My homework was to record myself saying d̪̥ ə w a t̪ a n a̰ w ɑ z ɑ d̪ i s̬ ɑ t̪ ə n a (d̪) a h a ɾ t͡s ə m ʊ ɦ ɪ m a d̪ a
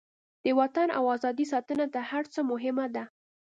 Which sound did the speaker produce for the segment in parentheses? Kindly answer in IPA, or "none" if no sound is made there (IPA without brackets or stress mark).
t̪